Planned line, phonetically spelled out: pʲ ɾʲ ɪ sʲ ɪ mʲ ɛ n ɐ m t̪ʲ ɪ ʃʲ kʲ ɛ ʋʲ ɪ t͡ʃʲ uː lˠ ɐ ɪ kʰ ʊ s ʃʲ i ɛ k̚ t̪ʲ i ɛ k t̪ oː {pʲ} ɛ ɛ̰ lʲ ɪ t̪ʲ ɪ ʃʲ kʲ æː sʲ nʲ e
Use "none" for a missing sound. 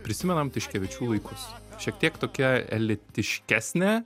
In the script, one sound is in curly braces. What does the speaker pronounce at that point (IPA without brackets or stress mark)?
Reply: kʲ